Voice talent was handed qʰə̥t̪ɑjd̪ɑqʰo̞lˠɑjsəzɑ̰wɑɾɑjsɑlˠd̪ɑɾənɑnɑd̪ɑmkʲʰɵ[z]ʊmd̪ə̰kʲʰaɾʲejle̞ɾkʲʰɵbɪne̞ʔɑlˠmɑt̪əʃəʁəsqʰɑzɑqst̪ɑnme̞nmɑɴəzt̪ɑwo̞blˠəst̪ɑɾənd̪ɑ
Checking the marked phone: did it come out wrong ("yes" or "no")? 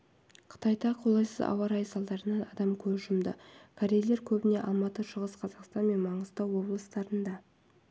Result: yes